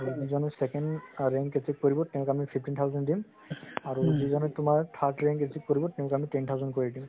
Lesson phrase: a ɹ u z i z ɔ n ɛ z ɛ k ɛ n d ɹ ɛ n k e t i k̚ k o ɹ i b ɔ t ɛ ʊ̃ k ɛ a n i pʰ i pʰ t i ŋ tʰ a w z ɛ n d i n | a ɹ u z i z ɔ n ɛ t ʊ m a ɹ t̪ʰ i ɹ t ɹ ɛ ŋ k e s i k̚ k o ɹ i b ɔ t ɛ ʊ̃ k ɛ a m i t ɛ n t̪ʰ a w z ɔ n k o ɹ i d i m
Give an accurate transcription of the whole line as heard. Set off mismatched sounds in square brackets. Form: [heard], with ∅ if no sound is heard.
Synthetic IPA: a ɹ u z i z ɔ n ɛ [s] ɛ k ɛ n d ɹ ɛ [ŋ] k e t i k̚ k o ɹ i b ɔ t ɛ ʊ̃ k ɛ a [m] i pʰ i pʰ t i [n] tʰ a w z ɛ n d i [m] | a ɹ u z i z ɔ n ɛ t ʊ m a ɹ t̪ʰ [a] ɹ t ɹ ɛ ŋ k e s i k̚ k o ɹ i b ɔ t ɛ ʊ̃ k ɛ a m i t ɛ n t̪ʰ a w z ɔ n k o ɹ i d i m

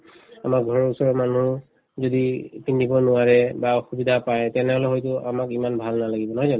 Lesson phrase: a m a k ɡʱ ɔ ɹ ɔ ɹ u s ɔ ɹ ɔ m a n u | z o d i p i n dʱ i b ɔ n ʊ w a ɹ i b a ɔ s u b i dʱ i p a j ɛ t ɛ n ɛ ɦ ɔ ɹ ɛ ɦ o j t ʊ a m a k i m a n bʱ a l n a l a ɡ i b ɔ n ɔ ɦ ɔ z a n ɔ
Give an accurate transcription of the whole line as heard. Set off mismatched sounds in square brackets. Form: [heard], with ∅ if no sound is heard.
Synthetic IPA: a m a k ɡʱ ɔ ɹ ɔ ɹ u s ɔ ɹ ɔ m a n u | z o d i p i n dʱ i b ɔ n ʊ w a ɹ [ɛ] b a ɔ [x] u b i dʱ [a] p a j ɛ t ɛ n ɛ ɦ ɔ [l] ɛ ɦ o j t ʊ a m a k i m a n bʱ a l n a l a ɡ i b ɔ n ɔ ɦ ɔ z a n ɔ

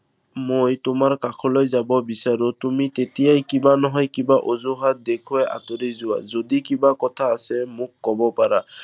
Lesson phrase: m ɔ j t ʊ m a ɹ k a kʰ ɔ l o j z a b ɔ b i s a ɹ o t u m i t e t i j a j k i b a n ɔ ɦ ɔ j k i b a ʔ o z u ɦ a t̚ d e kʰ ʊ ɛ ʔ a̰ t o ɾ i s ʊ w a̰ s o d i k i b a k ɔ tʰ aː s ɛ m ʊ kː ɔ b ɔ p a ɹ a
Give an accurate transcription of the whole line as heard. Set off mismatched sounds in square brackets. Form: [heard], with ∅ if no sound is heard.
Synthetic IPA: m [o] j t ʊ m a ɹ k a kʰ ɔ l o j z a b ɔ b i s a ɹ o t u m i t e t i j a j k i b a n ɔ ɦ ɔ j k i b a ʔ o z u ɦ a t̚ d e kʰ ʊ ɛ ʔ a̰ t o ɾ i [z] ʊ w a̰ [z] o d i k i b a k ɔ tʰ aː s ɛ m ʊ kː ɔ b ɔ p a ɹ a

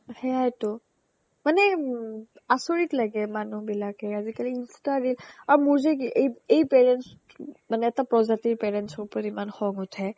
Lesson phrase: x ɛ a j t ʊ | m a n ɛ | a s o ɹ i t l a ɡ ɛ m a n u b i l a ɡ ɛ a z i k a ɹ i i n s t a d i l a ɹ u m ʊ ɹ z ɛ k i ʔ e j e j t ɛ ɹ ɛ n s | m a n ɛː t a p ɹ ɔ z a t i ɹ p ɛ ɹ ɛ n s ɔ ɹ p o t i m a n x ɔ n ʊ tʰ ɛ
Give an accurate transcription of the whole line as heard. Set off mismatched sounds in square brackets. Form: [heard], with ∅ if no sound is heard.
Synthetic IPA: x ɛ a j t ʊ | m a n ɛ | a s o ɹ i t l a ɡ ɛ m a n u b i l a [k] ɛ a z i k a [l] i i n s t a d i l a ɹ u m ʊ ɹ z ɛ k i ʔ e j e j [p] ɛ ɹ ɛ n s | m a n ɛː t a p ɹ ɔ z a t i ɹ p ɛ ɹ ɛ n s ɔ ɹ p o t i m a n x ɔ [ŋ] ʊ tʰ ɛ

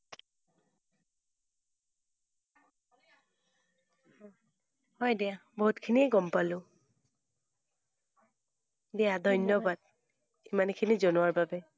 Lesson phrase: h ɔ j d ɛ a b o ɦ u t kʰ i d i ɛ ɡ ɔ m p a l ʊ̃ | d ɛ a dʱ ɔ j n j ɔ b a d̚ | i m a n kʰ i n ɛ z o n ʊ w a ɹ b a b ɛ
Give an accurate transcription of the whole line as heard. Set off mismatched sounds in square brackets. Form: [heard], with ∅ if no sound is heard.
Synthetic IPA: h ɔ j d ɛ a b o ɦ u t kʰ i [n] i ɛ ɡ ɔ m p a l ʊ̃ | d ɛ a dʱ ɔ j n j ɔ b a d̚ | i m a n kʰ i n [i] z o n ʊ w a ɹ b a b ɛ

